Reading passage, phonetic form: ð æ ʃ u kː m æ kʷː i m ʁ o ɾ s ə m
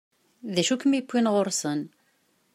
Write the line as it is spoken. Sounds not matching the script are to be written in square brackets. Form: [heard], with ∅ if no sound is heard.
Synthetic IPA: ð æ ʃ u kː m [i] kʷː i [n] ʁ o ɾ s ə [n]